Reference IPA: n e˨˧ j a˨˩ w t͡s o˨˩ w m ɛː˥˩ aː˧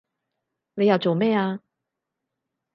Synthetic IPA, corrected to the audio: n e˨˧ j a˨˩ w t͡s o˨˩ w m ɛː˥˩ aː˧